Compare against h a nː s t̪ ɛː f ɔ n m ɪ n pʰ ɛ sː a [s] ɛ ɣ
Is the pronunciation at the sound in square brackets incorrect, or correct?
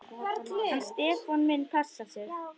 correct